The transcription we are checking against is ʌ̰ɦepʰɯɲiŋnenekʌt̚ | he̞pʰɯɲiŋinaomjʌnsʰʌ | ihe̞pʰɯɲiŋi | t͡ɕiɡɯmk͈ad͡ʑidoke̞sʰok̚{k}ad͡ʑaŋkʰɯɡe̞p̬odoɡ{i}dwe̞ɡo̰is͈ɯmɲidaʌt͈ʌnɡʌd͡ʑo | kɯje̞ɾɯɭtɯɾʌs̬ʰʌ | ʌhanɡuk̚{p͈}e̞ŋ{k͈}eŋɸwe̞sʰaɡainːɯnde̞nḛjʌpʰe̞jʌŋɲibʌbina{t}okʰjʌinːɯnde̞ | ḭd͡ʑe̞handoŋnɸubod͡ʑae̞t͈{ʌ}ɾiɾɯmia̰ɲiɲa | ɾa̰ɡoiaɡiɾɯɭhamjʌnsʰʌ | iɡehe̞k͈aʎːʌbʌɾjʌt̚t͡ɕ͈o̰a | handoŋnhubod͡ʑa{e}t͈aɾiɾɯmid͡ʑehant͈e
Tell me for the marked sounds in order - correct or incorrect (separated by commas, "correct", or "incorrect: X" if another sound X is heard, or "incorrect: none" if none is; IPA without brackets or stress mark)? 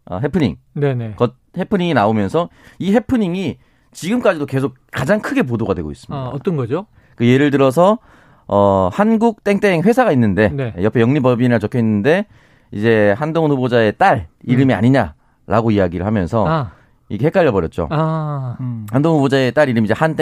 correct, incorrect: a, incorrect: t͈, incorrect: t͈, incorrect: t͡ɕ, incorrect: a, correct